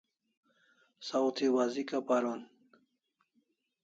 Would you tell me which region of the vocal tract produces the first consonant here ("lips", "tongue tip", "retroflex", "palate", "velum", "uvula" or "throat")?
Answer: tongue tip